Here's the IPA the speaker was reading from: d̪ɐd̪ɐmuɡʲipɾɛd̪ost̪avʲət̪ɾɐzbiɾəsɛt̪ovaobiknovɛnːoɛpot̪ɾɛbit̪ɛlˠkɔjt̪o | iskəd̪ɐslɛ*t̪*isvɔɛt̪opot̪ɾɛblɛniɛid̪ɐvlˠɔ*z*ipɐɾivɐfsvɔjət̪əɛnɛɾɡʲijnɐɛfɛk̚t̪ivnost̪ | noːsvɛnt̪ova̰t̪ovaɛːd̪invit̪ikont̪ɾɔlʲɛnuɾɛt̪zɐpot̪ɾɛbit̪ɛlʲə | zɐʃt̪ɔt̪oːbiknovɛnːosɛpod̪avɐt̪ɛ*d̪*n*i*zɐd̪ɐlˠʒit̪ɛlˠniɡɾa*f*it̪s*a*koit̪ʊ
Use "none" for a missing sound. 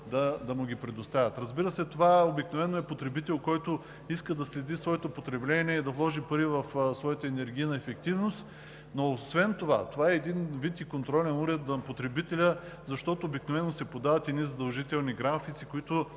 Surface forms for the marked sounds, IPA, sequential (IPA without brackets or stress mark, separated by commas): d̪, ʒ, d̪, i, f, i